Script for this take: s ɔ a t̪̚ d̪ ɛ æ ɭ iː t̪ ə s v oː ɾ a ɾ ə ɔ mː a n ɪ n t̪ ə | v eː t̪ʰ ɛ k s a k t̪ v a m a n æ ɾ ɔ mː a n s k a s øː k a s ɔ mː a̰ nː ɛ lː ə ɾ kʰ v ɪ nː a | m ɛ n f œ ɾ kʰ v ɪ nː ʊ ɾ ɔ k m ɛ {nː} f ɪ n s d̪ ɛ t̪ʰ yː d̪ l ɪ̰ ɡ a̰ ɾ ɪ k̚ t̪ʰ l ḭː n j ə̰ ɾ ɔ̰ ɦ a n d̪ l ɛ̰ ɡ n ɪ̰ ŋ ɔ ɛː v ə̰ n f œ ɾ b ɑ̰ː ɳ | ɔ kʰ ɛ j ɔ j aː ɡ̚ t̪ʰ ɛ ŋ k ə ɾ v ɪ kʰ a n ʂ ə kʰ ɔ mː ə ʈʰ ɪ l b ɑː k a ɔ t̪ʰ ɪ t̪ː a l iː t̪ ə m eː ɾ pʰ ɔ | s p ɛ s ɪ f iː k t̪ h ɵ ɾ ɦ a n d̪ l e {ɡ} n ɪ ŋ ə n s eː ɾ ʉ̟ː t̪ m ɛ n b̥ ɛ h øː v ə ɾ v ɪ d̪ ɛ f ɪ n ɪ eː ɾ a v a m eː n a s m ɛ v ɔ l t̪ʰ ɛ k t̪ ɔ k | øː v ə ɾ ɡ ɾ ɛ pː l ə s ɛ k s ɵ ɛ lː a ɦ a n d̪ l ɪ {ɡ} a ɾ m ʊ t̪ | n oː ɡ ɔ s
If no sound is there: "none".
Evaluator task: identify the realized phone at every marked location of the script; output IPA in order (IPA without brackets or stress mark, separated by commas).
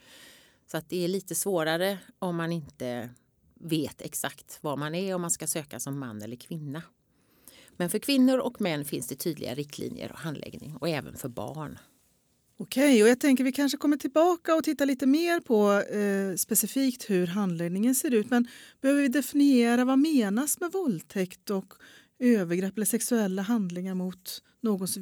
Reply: nː, ɡ, ŋ